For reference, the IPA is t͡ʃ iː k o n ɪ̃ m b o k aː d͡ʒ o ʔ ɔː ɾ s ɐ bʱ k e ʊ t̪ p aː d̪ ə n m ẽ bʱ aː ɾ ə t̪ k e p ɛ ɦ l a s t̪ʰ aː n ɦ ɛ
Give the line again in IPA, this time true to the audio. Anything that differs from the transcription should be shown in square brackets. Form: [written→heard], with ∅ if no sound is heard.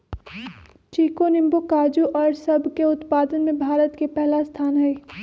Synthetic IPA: t͡ʃ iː k o n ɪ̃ m b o k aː d͡ʒ [o→u] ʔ ɔː ɾ s ɐ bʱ k e ʊ t̪ p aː d̪ ə n m ẽ bʱ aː ɾ ə t̪ k e p ɛ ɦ l a s t̪ʰ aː n ɦ ɛ